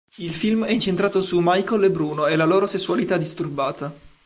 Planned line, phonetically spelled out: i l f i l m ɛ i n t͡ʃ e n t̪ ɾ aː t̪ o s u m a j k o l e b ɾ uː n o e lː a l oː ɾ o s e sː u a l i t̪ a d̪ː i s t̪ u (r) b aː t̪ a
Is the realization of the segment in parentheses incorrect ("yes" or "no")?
no